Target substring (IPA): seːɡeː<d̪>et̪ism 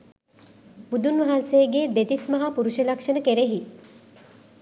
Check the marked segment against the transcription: correct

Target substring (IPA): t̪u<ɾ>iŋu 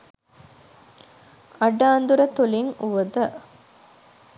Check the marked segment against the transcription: incorrect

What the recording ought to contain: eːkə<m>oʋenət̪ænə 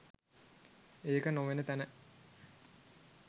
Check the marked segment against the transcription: incorrect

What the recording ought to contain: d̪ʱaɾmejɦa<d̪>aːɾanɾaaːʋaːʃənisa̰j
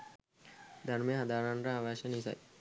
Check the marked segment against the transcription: correct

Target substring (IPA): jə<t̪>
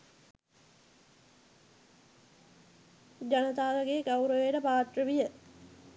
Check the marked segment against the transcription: incorrect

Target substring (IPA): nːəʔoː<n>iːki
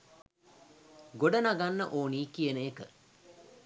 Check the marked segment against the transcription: correct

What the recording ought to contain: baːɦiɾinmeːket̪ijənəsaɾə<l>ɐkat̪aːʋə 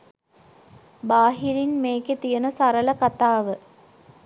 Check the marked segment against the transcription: correct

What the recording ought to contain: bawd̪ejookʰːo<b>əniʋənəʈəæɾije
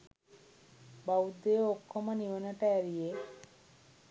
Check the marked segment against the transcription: incorrect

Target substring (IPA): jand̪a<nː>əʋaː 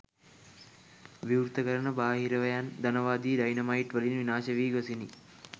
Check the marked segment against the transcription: incorrect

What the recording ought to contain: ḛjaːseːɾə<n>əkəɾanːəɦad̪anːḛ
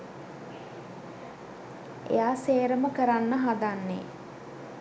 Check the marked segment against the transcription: incorrect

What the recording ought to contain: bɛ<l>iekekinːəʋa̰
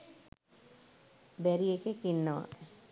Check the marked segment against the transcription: incorrect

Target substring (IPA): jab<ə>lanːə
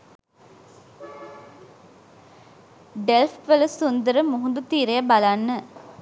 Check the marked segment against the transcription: incorrect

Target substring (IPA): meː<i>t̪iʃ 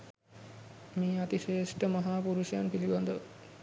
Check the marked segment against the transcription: incorrect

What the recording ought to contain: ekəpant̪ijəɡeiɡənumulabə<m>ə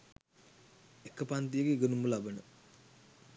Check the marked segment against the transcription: incorrect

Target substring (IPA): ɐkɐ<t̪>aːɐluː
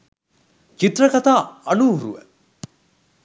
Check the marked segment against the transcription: correct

